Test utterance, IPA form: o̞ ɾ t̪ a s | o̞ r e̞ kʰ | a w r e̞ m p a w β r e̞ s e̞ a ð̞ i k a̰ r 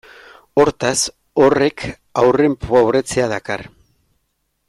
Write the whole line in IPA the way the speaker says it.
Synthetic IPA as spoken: o̞ ɾ t̪ a s | o̞ r e̞ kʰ | a w r e̞ m p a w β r e̞ t͡s e̞ a ð̞ a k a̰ r